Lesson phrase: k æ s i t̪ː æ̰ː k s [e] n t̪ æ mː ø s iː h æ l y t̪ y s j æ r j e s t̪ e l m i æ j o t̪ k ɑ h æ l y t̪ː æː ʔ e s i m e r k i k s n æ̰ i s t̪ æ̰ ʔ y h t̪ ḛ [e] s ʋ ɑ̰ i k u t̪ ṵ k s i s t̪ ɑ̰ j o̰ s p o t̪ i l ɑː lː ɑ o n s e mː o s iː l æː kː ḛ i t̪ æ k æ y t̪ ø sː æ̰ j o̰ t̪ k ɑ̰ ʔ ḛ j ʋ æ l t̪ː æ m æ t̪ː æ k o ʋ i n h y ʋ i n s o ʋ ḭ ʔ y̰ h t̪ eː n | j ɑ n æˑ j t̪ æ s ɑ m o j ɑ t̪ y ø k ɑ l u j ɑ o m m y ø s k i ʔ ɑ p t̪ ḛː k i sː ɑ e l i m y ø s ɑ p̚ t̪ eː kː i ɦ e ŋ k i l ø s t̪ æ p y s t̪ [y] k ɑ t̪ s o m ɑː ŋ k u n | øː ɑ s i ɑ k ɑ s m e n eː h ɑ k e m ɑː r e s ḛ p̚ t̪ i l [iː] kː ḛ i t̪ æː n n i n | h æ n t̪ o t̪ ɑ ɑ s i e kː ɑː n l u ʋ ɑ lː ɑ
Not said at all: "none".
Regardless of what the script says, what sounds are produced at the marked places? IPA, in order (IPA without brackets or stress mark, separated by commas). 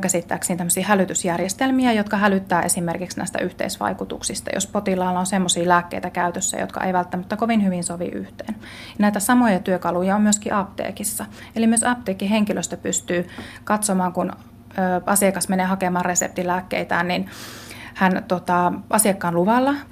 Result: i, i, yː, æː